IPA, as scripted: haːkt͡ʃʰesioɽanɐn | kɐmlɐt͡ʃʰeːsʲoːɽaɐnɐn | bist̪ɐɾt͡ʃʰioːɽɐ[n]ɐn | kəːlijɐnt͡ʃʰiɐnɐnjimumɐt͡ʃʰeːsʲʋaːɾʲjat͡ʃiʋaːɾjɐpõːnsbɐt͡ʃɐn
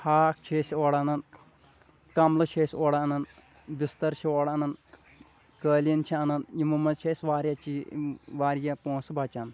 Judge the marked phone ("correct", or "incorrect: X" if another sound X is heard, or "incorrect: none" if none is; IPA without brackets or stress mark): correct